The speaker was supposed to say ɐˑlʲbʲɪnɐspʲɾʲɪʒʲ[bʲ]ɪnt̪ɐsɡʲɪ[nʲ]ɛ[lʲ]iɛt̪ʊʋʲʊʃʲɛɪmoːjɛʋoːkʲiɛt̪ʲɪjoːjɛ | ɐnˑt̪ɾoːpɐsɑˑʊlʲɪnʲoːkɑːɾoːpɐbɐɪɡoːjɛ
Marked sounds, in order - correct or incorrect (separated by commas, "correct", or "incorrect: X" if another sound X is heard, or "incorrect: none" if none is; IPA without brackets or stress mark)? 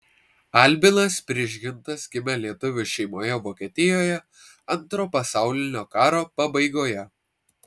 incorrect: ɡʲ, incorrect: mʲ, correct